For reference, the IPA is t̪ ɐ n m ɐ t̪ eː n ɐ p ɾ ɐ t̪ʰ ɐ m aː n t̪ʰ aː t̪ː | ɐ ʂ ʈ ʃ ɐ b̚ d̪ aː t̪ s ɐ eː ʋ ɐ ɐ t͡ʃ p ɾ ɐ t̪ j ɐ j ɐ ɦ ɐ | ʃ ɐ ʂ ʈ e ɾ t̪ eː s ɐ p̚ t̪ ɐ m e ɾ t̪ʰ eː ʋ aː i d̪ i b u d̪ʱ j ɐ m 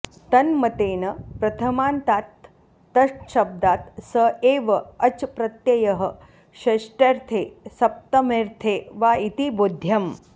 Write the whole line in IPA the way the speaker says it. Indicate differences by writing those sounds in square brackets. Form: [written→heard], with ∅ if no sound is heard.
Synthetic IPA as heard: t̪ ɐ n m ɐ t̪ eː n ɐ p ɾ ɐ t̪ʰ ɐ m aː n [t̪ʰ→t̪] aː t̪ː | ɐ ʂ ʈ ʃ ɐ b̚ d̪ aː t̪ s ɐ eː ʋ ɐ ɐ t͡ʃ p ɾ ɐ t̪ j ɐ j ɐ ɦ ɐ | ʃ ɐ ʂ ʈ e ɾ [t̪→t̪ʰ] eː s ɐ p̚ t̪ ɐ m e ɾ t̪ʰ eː ʋ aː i [d̪→t̪] i b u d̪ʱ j ɐ m